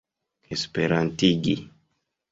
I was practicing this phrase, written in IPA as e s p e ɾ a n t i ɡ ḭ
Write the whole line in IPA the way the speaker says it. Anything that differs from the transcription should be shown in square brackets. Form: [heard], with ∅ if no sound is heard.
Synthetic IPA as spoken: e s p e ɾ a n t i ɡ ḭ